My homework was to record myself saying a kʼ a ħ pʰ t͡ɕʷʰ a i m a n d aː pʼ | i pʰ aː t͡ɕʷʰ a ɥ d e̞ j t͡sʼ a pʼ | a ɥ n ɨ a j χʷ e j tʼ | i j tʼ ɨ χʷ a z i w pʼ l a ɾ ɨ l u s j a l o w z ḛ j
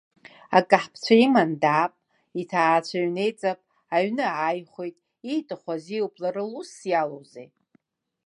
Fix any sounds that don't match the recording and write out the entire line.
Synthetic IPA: a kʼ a ħ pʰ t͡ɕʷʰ a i m a n d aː pʼ | i tʰ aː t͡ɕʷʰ a ɥ n e̞ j t͡sʼ a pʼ | a ɥ n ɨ a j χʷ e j tʼ | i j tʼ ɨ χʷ a z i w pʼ l a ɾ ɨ l u s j a l o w z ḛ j